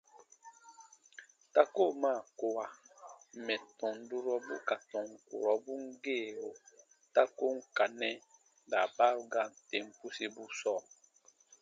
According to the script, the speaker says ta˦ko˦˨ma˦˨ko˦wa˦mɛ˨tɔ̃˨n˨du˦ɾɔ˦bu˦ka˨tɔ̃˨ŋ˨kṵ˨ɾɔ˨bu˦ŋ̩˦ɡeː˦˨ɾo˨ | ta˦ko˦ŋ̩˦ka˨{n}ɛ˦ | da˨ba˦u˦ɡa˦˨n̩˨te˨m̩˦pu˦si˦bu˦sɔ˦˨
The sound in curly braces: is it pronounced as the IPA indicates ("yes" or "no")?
yes